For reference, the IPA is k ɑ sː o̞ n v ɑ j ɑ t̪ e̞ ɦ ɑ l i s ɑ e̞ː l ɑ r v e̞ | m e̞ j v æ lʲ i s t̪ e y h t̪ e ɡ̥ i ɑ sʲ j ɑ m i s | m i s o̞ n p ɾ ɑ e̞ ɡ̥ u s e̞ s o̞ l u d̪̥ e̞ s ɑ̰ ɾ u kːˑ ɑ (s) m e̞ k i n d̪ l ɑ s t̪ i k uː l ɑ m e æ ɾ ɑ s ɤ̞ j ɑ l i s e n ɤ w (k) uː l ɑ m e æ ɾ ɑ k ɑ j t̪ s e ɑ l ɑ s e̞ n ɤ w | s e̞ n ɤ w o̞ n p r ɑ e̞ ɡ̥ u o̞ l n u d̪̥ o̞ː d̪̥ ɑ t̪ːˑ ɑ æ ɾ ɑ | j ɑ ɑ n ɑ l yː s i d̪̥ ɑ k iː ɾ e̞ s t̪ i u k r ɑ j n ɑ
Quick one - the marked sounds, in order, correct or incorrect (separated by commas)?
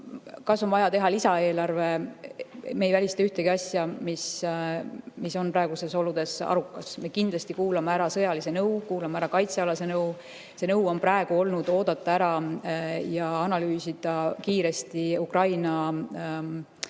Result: correct, correct